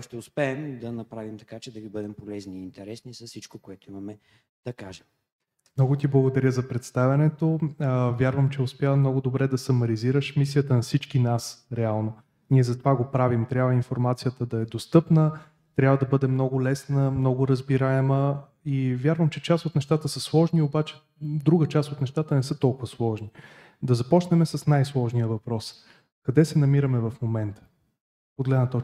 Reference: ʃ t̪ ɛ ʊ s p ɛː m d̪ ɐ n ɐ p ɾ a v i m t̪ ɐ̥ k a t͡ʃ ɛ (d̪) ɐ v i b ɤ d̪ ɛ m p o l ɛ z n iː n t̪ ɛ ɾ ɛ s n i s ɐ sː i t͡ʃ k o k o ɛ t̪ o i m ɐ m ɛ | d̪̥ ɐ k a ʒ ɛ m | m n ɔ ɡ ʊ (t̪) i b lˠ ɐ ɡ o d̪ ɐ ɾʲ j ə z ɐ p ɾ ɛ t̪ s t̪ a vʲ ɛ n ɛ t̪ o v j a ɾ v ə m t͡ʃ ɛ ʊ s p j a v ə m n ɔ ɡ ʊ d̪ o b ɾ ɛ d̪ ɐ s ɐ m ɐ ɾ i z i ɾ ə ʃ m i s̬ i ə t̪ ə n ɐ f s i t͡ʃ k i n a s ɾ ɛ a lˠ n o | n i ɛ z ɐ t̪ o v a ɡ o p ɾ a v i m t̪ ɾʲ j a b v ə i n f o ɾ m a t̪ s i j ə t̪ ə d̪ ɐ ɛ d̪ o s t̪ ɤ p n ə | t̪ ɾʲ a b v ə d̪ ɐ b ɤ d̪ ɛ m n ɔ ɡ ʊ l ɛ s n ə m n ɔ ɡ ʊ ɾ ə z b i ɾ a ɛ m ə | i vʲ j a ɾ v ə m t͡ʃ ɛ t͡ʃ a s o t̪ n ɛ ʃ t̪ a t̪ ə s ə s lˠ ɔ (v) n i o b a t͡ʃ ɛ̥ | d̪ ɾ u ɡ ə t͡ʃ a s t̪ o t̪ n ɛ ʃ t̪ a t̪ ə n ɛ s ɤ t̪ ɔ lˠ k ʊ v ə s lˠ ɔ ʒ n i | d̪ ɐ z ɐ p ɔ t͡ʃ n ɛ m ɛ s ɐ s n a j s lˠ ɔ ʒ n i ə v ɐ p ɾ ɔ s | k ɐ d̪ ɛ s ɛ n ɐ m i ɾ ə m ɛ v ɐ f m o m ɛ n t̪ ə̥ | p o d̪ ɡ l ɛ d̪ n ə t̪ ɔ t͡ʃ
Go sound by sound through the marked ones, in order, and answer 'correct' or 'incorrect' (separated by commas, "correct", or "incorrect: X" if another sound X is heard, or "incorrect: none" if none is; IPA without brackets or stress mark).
correct, correct, incorrect: ʒ